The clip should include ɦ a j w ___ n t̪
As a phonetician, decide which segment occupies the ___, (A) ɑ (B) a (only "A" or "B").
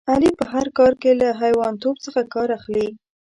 A